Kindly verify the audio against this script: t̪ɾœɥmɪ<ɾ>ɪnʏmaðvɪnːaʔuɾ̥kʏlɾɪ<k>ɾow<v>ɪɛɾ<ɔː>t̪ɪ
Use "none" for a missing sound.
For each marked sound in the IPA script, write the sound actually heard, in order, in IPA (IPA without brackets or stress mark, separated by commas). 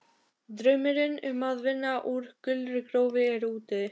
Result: ɾ, k, v, uː